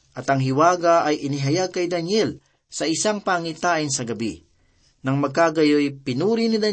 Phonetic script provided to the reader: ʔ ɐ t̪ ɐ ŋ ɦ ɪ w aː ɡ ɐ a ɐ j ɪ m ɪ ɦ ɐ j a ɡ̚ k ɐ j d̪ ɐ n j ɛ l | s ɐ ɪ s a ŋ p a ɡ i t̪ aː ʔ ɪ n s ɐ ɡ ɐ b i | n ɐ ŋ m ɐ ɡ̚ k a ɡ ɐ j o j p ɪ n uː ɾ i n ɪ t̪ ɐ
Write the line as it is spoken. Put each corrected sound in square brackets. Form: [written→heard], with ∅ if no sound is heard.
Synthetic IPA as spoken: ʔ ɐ t̪ ɐ ŋ ɦ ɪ w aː ɡ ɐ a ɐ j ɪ [m→n] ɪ ɦ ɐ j a ɡ̚ k ɐ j d̪ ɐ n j ɛ l | s ɐ ɪ s a ŋ p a [ɡ→ŋ] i t̪ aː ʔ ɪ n s ɐ ɡ ɐ b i | n ɐ ŋ m ɐ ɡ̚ k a ɡ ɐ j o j p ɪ n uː ɾ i n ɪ [t̪→d̪] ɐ